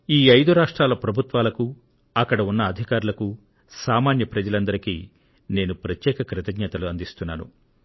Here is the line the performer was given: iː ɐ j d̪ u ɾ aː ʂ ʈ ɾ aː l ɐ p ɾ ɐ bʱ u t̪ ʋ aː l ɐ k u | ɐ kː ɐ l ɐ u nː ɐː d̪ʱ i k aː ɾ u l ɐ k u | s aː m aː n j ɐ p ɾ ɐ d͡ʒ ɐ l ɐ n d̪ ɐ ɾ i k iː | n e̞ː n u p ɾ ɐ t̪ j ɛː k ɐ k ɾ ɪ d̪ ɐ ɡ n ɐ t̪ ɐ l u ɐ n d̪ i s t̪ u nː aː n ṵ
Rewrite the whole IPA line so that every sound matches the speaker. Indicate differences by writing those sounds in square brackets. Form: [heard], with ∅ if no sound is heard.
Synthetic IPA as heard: iː ɐ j d̪ u ɾ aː ʂ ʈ ɾ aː l ɐ p ɾ ɐ bʱ u t̪ ʋ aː l ɐ k u | ɐ kː ɐ [ɽ] ɐ u nː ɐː d̪ʱ i k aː ɾ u l ɐ k u | s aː m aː n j ɐ p ɾ ɐ d͡ʒ ɐ l ɐ n d̪ ɐ ɾ i k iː | n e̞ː n u p ɾ ɐ t̪ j ɛː k ɐ k ɾ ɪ [t̪] ɐ ɡ [ɲ] ɐ t̪ ɐ l u ɐ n d̪ i s t̪ u nː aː n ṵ